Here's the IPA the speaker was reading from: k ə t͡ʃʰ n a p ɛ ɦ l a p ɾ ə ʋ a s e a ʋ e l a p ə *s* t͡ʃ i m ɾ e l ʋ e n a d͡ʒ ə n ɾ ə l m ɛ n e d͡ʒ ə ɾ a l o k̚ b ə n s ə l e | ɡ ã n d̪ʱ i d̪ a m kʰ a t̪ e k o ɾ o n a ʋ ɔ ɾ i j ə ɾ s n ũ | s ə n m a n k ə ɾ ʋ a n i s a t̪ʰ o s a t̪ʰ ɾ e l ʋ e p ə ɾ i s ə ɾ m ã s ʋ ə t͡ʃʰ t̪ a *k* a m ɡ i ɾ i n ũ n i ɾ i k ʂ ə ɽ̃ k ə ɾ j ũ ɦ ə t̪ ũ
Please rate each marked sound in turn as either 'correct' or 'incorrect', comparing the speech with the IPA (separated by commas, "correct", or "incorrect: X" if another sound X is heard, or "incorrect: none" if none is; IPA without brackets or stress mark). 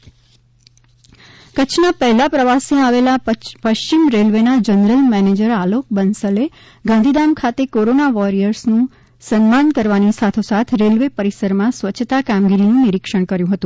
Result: incorrect: ʃ, correct